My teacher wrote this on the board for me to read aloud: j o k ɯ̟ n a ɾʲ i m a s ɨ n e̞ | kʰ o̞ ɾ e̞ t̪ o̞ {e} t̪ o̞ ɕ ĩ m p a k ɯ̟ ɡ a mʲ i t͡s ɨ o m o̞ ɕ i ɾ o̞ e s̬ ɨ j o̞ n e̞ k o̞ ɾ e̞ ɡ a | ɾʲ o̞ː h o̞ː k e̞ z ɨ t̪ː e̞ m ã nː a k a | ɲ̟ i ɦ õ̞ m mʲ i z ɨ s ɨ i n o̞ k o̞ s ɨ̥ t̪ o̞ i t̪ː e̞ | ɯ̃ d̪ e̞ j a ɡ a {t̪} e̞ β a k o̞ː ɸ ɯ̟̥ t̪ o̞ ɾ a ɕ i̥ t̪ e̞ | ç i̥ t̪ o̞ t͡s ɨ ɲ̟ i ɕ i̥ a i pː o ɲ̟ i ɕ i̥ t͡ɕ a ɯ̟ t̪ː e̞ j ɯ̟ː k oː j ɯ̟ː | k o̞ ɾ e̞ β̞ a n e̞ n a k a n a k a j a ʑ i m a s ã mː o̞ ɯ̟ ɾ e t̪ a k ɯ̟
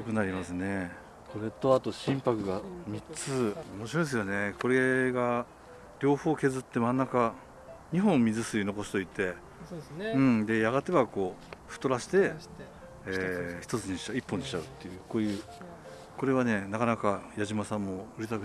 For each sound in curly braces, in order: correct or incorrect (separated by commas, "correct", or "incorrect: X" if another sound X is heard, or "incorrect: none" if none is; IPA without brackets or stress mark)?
incorrect: a, correct